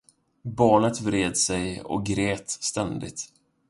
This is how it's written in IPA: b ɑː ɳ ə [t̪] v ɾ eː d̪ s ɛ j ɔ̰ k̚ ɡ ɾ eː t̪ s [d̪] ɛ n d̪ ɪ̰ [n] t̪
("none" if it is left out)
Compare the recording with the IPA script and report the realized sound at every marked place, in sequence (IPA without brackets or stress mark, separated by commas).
t̪, t̪, none